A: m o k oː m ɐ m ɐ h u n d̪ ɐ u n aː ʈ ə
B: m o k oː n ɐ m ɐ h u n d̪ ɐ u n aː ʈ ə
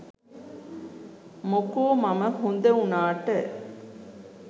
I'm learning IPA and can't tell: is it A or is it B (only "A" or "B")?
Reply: A